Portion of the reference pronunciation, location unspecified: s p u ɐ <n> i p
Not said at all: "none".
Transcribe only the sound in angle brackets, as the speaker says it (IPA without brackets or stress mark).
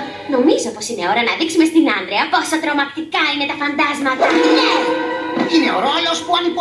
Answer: n